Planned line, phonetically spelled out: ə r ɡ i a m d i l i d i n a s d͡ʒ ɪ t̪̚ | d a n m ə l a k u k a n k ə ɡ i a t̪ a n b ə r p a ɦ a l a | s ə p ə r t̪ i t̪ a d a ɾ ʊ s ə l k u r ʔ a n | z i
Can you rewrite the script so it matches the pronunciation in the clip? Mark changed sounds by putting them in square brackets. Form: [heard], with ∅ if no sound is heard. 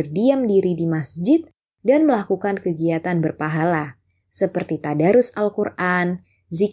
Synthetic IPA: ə r [d] i a m d i [ɾ] i d i [m] a s d͡ʒ ɪ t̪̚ | d a n m ə l a k u k a n k ə ɡ i a t̪ a n b ə r p a ɦ a l a | s ə p ə r t̪ i t̪ a d a ɾ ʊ s [a] l k u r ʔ a n | z i